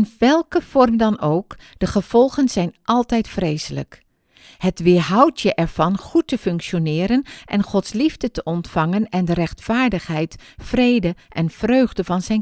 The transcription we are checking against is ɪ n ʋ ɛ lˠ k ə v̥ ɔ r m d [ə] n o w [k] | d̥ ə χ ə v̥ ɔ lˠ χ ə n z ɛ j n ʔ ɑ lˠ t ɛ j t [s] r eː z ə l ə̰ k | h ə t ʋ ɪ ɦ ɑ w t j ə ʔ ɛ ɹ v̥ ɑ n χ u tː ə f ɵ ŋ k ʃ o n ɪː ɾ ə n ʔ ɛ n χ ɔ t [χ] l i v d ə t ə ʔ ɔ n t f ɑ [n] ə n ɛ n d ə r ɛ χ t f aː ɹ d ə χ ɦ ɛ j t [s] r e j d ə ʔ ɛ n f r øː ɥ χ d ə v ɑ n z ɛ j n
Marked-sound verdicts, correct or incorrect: incorrect: ɑ, correct, incorrect: f, incorrect: s, incorrect: ŋ, incorrect: f

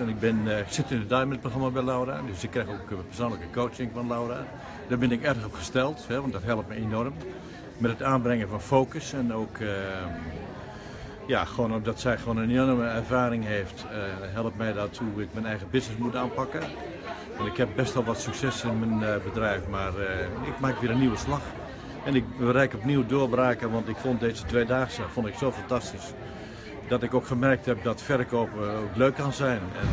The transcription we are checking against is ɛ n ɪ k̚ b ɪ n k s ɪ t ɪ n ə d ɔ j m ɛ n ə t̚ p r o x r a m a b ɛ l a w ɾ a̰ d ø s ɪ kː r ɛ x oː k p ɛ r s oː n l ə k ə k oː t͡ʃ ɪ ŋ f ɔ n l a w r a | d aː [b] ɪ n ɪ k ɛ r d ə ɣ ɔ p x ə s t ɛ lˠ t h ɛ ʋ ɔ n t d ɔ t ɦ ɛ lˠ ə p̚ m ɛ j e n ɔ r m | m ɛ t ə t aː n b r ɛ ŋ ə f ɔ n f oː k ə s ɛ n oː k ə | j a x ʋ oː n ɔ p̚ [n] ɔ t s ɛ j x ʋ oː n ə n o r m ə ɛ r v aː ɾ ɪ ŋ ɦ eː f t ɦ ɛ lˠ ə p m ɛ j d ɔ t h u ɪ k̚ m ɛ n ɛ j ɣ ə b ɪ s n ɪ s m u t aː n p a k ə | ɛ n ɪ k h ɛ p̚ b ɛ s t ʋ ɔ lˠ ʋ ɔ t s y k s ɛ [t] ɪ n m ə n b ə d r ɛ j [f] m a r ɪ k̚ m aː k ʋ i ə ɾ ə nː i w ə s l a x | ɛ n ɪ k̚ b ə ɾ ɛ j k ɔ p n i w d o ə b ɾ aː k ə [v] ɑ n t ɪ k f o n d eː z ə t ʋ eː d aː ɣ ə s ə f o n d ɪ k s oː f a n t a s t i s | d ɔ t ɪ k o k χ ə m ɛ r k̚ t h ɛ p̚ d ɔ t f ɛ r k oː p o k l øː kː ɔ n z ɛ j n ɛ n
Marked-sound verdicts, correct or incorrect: correct, incorrect: d, incorrect: s, correct, incorrect: ʋ

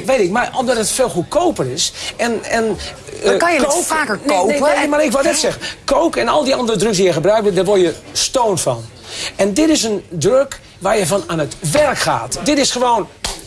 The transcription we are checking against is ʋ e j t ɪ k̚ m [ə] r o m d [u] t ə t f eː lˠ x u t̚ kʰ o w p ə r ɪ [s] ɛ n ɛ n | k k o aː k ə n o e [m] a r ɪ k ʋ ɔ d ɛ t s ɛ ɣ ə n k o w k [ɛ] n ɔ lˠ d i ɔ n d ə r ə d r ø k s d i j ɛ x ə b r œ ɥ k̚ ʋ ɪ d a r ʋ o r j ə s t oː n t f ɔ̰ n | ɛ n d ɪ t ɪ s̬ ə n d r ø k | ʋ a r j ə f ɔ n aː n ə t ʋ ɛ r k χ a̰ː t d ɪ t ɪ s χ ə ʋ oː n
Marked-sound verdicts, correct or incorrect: incorrect: a, incorrect: ɔ, correct, correct, correct

